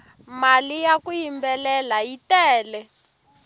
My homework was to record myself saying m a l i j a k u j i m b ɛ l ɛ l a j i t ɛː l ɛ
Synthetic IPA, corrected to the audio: m a l i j a k u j i m b ɛ l ɛ l a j i t ɛː l ɛ

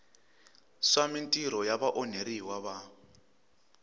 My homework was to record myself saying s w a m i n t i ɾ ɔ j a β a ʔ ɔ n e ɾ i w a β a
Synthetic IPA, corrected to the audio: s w a m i n tʼ i ɾ ɔ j a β a ʔ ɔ n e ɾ i w a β a

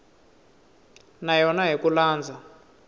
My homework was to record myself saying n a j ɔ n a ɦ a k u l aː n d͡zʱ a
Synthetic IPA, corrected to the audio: n a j ɔ n a ɦ i k u l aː n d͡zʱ a

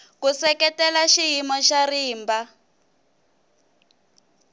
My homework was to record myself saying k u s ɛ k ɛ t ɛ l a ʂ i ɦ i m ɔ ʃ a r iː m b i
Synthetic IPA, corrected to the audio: k u s ɛ k ɛ t ɛ l a ʃ i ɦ i m ɔ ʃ a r iː m b a

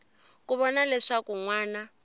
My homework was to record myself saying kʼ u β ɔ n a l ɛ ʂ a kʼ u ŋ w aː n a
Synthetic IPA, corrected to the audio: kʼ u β ɔ n a l ɛ ʂ a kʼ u ŋ w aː n a

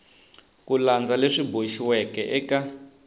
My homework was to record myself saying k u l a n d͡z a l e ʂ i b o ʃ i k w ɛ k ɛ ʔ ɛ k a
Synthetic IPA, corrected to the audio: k u l a n d͡z a l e ʂ i b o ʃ i w ɛ k ɛ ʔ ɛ k a

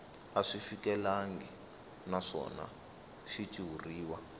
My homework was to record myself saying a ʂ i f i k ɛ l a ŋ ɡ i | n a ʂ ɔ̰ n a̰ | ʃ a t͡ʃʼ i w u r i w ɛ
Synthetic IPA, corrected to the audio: a ʂ i f i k ɛ l a ŋ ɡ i | n a ʂ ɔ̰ n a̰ | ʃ i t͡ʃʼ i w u r iː w a

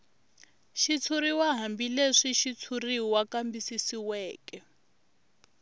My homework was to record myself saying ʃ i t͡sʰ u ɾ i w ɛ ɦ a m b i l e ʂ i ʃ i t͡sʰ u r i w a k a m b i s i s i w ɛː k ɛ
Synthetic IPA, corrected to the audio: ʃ i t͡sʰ u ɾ i w a ɦ a m b i l e ʂ i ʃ i t͡sʰ u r i w a k a m b i s i s i w ɛː k ɛ

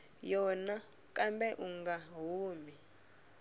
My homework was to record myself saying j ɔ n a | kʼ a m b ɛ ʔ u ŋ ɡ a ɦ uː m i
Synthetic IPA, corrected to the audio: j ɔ n a | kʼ a m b ɛ ʔ u ŋ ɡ a ɦ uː m i

